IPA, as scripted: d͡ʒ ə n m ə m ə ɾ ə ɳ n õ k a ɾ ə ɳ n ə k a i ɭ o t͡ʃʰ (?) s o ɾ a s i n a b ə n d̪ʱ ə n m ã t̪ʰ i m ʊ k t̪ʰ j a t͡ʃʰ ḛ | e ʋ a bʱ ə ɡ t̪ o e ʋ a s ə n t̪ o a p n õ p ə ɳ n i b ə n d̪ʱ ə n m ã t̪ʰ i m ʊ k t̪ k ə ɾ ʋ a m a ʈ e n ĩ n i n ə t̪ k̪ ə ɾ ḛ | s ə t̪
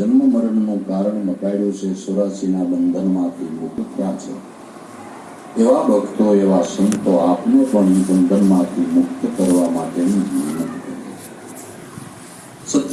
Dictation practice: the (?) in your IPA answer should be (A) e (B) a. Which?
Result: A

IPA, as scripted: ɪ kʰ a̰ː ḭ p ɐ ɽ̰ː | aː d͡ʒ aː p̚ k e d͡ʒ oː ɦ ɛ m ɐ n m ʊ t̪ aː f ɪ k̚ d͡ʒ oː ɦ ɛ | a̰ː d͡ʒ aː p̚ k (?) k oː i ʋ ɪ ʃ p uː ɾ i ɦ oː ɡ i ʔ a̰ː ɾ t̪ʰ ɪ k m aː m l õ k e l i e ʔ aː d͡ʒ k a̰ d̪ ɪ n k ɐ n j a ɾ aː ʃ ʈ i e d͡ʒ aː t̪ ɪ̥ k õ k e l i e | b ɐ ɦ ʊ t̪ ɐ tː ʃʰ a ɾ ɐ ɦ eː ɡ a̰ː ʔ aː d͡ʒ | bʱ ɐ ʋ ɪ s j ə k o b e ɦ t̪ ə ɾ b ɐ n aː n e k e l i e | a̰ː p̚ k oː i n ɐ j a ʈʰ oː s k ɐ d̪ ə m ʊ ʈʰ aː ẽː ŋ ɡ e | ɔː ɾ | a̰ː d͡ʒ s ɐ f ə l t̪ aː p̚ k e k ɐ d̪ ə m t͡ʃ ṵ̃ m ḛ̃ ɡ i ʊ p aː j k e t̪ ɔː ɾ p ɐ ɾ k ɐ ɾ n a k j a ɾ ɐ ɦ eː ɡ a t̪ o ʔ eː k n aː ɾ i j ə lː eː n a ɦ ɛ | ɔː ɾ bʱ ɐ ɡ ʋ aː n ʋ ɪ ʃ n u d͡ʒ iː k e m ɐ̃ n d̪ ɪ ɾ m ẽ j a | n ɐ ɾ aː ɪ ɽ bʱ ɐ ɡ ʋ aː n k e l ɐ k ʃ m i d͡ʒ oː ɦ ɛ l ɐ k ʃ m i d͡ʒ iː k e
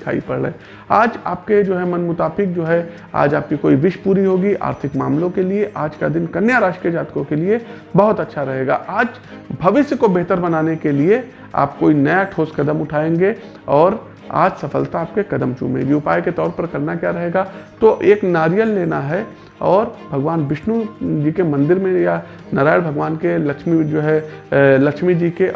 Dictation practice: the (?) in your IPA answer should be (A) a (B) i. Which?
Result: B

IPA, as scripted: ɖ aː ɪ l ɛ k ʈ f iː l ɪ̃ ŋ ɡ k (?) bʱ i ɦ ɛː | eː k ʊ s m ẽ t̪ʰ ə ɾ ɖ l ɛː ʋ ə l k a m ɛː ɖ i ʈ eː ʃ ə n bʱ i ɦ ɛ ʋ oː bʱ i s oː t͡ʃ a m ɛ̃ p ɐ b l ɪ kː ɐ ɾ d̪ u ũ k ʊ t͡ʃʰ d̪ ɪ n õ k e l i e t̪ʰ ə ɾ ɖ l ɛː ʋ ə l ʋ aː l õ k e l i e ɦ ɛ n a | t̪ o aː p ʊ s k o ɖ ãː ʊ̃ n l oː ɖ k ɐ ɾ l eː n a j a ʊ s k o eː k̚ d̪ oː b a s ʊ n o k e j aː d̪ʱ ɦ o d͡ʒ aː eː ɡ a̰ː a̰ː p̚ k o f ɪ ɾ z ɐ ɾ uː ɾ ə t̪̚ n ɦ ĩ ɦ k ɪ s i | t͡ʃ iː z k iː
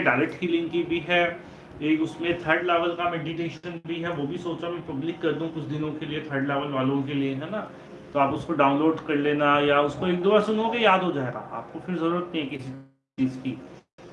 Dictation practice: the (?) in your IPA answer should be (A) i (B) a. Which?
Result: A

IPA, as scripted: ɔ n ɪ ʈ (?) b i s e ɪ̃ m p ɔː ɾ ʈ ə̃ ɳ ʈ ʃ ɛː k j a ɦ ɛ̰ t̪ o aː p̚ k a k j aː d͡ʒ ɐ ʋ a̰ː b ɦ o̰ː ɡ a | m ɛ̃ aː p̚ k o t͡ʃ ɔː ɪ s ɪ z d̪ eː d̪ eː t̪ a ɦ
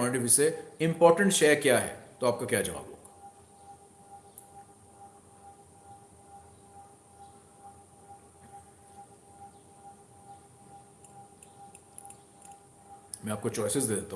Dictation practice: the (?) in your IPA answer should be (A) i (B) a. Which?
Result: A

